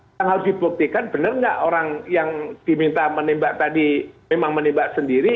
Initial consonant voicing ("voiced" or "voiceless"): voiced